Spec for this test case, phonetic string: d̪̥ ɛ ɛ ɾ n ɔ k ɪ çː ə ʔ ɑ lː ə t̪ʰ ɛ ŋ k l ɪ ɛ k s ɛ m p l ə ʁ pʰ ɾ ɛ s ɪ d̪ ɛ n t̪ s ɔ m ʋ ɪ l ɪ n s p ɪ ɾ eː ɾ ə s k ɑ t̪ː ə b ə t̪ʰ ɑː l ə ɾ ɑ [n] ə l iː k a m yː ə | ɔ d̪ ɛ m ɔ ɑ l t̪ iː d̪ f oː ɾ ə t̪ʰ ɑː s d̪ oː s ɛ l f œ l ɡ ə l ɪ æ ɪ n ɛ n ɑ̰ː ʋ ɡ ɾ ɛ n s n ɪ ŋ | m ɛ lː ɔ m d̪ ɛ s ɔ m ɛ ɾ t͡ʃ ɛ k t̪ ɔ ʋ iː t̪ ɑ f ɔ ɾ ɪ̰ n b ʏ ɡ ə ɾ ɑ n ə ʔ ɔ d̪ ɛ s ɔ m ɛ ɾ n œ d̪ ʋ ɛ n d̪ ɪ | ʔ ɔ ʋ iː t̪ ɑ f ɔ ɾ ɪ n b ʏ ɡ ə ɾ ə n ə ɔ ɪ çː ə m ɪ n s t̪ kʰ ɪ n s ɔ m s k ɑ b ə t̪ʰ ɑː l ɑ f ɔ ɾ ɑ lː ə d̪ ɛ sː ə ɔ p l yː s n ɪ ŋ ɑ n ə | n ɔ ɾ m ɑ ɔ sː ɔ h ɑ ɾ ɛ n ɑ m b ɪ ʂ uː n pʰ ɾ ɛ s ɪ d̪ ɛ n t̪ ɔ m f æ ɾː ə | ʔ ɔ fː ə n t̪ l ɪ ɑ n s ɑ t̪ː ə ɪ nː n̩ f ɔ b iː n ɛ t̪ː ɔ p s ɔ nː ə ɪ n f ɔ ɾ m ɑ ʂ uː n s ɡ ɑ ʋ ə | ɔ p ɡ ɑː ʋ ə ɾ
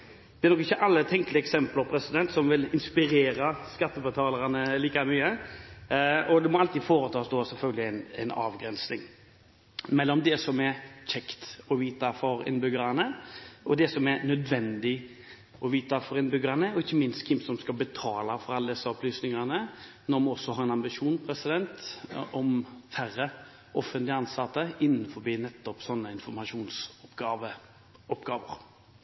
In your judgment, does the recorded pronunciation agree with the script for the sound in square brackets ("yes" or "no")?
yes